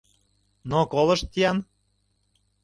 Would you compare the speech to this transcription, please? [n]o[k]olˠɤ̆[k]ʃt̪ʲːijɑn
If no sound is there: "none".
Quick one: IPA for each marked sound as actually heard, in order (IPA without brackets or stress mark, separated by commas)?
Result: n, k, none